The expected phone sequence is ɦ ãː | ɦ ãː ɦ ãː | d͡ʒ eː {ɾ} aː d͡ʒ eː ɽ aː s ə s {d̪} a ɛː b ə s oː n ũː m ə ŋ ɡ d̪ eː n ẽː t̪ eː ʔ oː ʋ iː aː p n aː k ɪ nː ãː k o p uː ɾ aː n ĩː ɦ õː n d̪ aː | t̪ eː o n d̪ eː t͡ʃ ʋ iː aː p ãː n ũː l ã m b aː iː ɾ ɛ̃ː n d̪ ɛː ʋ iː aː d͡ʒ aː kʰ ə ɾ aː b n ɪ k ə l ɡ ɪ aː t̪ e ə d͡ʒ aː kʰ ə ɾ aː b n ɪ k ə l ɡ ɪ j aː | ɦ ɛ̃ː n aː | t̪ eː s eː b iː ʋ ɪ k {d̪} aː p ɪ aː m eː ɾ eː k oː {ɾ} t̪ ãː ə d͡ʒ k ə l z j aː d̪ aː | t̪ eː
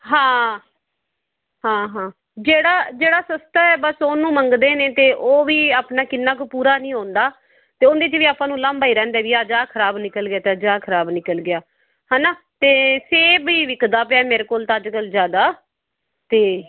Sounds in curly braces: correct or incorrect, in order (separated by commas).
incorrect, incorrect, correct, incorrect